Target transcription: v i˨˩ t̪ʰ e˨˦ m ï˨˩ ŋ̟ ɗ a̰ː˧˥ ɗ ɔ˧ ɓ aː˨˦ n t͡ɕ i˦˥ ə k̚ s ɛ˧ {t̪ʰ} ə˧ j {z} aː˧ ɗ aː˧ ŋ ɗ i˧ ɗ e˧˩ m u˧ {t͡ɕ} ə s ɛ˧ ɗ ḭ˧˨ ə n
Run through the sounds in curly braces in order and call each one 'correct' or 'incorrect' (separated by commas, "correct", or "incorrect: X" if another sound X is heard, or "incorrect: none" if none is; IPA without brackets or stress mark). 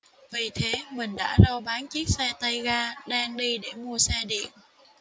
incorrect: t̪, incorrect: ɣ, incorrect: none